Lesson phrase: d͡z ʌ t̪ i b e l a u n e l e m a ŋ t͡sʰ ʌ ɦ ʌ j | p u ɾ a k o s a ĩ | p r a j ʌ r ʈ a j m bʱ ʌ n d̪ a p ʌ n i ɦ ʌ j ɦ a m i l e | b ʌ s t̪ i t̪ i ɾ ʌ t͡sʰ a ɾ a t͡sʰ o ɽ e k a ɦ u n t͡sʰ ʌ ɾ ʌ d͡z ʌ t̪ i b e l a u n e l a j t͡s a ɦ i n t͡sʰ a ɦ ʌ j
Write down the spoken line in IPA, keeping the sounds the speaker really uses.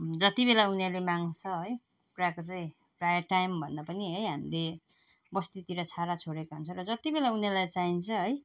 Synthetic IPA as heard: d͡z ʌ t̪ i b e l a u n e l e m a ŋ t͡sʰ ʌ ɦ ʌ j | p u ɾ a k o t͡s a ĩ | p r a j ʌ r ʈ a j m bʱ ʌ n d̪ a p ʌ n i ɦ ʌ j ɦ a m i l e | b ʌ s t̪ i t̪ i ɾ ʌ t͡sʰ a ɾ a t͡sʰ o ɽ e k a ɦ u n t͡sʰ ʌ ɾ ʌ d͡z ʌ t̪ i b e l a u n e l a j t͡s a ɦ i n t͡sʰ ʌ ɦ ʌ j

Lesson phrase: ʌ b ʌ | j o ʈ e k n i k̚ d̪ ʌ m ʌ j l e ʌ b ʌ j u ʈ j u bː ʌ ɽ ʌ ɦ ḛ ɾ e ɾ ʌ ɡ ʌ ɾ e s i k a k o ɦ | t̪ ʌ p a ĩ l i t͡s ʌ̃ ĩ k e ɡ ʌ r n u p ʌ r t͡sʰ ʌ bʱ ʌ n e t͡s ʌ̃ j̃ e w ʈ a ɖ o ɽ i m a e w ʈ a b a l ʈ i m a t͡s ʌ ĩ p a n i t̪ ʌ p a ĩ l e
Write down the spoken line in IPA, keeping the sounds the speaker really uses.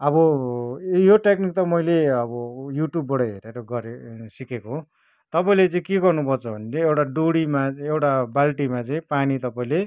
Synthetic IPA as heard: ʌ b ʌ | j o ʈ e k n i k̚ t̪ ʌ m ʌ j l e ʌ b ʌ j u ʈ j u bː ʌ ɽ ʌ ɦ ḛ ɾ e ɾ ʌ ɡ ʌ ɾ e s i k e k o ɦ | t̪ ʌ p a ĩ l e t͡s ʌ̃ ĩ k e ɡ ʌ r n u p ʌ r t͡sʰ ʌ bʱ ʌ n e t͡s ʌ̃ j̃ e w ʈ a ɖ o ɽ i m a e w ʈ a b a l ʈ i m a t͡s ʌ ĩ p a n i t̪ ʌ p a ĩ l e

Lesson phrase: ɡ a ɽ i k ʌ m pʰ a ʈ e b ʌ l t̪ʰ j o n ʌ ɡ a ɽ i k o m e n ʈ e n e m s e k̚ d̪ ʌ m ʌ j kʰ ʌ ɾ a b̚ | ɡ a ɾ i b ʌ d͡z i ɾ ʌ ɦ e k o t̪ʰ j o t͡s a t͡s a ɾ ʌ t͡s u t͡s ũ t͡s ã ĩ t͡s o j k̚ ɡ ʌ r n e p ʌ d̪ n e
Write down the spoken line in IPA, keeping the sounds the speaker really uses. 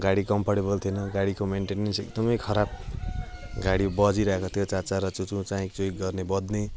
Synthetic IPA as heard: ɡ a ɽ i k ʌ m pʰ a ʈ e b ʌ l t̪ʰ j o n ʌ ɡ a ɽ i k o m e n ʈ e n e n s e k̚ d̪ ʌ m ʌ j kʰ ʌ ɾ a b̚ | ɡ a ɽ i b ʌ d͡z i ɾ ʌ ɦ e k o t̪ʰ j o t͡s a t͡s a ɾ ʌ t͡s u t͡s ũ t͡s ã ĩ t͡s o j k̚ ɡ ʌ r n e b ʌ d̪ n e

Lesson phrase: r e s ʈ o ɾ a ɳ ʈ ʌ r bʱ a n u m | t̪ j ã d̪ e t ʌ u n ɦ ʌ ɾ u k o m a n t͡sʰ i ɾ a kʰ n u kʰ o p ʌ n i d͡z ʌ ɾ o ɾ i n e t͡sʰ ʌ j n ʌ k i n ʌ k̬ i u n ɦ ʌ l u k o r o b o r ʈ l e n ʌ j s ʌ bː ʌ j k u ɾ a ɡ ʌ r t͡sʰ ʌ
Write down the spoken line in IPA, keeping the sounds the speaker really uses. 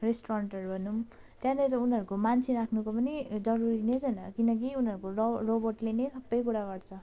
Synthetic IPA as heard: r e s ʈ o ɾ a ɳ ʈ ʌ r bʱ ʌ n u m | t̪ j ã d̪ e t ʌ u n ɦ ʌ ɾ u k o m a n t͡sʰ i ɾ a kʰ n u k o p ʌ n i d͡z ʌ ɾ u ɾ i n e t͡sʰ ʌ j n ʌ k i n ʌ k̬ i u n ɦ ʌ ɾ u k o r o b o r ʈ l e n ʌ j s ʌ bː ʌ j k u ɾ a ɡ ʌ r t͡sʰ ʌ

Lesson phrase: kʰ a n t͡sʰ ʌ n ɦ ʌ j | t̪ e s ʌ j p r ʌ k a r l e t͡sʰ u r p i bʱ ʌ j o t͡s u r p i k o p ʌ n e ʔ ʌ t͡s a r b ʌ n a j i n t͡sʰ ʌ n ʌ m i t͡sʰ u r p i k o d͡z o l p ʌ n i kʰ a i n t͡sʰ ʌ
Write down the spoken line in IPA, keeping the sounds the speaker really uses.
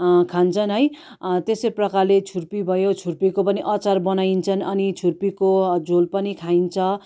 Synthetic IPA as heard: kʰ a n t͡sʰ ʌ n ɦ ʌ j | t̪ e s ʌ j p r ʌ k a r l e t͡sʰ u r p i bʱ ʌ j o t͡sʰ u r p i k o p ʌ n i ʔ ʌ t͡s a r b ʌ n a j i n t͡sʰ ʌ n ʌ n i t͡sʰ u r p i k o d͡z o l p ʌ n i kʰ a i n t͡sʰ ʌ

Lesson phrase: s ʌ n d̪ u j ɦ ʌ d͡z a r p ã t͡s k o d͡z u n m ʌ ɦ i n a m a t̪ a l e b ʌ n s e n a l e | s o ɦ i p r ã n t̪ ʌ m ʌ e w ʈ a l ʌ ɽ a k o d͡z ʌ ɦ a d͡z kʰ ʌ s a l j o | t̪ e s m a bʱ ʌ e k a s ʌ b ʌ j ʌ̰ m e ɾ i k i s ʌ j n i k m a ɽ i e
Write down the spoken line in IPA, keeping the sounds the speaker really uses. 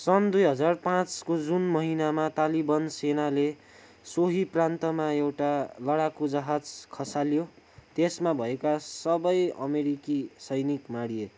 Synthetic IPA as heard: s ʌ n d̪ u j ɦ ʌ d͡z a r p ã t͡s k o d͡z u n m ʌ ɦ i n a m a t̪ a l i b ʌ n s e n a l e | s o ɦ i p r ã n t̪ ʌ m a e w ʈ a l ʌ ɽ a k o d͡z ʌ ɦ a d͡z kʰ ʌ s a l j o | t̪ e s m a bʱ ʌ e k a s ʌ b ʌ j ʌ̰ m e ɾ i k i s ʌ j n i k m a ɽ i e

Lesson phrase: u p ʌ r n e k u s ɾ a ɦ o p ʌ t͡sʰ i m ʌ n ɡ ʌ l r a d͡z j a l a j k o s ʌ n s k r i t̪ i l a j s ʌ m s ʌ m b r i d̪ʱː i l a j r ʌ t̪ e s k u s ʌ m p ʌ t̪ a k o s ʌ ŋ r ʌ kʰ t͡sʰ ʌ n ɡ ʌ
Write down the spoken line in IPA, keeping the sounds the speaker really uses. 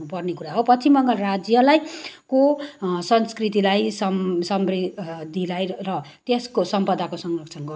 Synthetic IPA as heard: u p ʌ r n e k u ɾ a ɦ o p ʌ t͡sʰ i m ʌ ŋ ɡ ʌ l r a d͡z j ʌ l a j k o s ʌ n s k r i t̪ i l a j s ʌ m s ʌ m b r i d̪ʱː i l a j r ʌ t̪ e s k o s ʌ m p ʌ d̪ a k o s ʌ ŋ r ʌ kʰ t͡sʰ ʌ n ɡ ʌ

